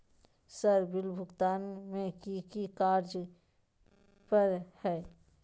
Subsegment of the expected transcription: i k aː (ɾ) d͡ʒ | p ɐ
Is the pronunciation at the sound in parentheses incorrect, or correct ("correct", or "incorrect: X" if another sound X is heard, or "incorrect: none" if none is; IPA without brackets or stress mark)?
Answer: correct